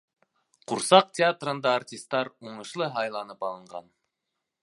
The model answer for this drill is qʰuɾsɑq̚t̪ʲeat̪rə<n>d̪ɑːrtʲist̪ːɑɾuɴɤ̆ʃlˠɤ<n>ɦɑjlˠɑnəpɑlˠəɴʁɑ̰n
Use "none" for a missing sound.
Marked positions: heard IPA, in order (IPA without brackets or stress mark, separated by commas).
n, none